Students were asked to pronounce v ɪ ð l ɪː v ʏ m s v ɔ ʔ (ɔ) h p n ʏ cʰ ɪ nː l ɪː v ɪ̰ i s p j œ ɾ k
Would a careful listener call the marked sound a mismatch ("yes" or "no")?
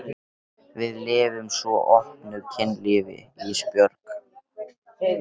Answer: no